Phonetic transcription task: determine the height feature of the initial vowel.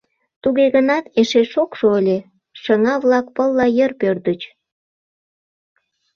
high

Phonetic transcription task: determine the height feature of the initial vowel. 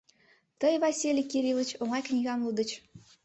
mid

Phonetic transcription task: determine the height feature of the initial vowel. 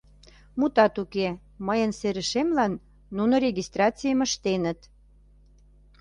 high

